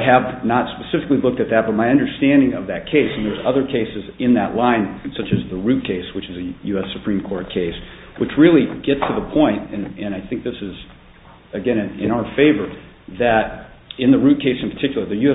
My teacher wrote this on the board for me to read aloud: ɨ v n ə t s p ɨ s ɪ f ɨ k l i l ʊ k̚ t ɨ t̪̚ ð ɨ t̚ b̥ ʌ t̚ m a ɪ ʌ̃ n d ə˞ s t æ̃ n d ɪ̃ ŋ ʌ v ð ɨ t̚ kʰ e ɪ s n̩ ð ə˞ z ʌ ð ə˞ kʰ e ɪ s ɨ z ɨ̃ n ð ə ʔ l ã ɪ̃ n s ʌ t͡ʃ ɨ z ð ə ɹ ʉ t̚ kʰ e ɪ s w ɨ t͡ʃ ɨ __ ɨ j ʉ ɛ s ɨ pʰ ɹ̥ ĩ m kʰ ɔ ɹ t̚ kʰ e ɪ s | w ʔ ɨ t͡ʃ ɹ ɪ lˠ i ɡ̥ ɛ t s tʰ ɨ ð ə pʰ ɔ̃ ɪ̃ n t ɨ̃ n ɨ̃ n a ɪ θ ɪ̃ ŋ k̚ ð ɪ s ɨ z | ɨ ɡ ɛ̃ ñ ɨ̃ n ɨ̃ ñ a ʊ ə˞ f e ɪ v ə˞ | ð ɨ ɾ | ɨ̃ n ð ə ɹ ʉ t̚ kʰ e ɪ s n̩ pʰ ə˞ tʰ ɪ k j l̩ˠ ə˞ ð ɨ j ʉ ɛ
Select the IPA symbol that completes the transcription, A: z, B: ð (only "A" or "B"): A